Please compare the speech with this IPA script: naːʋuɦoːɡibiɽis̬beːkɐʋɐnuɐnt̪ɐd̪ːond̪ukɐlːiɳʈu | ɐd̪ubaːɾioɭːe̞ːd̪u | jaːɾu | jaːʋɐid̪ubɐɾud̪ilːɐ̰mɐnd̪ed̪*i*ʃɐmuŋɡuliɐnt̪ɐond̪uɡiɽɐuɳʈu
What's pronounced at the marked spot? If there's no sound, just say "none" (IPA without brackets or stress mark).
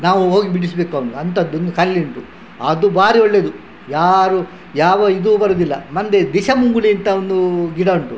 i